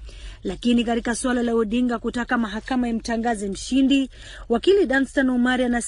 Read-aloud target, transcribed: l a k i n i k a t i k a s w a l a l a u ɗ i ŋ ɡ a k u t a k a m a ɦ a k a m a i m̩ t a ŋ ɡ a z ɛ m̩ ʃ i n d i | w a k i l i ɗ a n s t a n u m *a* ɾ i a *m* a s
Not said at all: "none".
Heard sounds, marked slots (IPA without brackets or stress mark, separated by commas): a, n